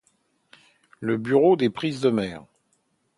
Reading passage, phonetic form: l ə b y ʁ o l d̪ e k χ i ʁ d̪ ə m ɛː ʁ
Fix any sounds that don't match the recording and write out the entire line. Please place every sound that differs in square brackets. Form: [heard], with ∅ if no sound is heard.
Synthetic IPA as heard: l ə b y ʁ o [∅] d̪ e [p] χ i [z] d̪ ə m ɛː ʁ